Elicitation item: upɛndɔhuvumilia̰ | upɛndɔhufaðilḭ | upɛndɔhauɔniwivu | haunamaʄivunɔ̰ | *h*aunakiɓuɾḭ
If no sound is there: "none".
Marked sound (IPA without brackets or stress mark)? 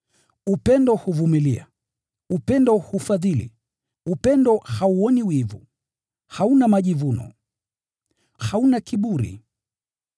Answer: h